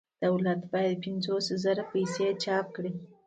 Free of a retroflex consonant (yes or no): no